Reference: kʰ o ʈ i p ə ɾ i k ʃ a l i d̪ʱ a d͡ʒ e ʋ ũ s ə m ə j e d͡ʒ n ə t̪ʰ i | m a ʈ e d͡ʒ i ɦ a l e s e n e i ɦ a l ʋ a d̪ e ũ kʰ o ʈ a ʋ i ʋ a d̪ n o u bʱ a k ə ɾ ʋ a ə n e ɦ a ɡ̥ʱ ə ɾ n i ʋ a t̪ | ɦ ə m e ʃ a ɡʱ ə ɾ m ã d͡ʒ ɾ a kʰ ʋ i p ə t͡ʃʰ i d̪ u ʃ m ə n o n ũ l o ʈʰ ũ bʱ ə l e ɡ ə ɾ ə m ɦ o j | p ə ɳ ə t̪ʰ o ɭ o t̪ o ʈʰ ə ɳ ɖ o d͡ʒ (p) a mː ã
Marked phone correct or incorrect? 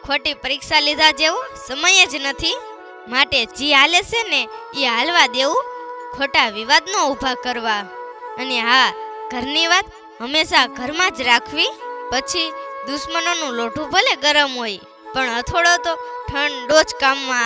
incorrect